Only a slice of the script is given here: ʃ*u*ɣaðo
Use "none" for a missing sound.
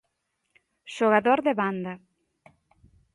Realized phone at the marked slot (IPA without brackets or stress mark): o